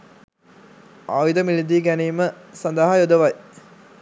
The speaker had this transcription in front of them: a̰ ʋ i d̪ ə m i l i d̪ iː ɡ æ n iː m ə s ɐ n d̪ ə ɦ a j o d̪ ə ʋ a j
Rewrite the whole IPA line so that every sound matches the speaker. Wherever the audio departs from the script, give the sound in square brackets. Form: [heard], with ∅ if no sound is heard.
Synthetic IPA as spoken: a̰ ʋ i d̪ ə m i l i d̪ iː ɡ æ n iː m ə s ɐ n d̪ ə ɦ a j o d̪ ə ʋ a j